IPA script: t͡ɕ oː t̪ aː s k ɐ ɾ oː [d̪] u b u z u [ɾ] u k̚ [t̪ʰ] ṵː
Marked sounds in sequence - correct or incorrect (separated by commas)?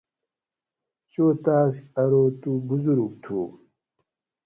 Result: incorrect, correct, correct